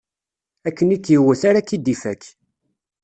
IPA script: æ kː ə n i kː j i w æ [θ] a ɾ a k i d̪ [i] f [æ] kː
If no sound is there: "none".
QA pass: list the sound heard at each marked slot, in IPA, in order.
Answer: θ, i, æ

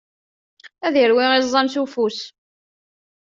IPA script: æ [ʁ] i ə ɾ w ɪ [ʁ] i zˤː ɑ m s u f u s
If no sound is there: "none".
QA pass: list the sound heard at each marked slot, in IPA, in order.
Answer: ð, ʁ

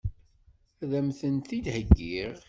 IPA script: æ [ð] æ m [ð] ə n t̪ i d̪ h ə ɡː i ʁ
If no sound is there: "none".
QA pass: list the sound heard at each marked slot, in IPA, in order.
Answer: ð, θ

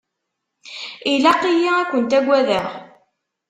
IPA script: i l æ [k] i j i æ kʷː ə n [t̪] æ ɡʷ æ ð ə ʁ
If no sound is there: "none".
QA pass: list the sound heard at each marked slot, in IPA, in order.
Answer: q, t̪

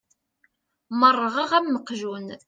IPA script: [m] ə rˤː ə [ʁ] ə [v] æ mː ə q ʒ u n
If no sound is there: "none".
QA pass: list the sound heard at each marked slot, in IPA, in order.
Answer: m, ʁ, ʁ

